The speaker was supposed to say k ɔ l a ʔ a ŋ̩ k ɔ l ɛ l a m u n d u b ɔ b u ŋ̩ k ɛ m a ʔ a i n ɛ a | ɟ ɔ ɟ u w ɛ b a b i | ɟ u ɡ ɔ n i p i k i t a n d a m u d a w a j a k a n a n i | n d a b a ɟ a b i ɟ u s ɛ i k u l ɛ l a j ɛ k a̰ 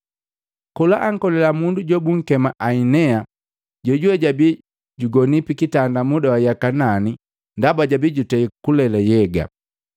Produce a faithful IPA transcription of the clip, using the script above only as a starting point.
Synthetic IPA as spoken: k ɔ l a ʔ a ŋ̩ k ɔ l ɛ l a m u n d u ɟ ɔ b u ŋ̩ k ɛ m a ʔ a i n ɛ a | ɟ ɔ ɟ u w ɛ ɟ a b i | ɟ u ɡ ɔ n i p i k i t a n d a m u d a w a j a k a n a n i | n d a b a ɟ a b i ɟ u t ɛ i k u l ɛ l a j ɛ ɡ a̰